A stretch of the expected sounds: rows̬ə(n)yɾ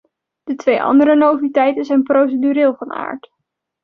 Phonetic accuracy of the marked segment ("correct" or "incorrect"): incorrect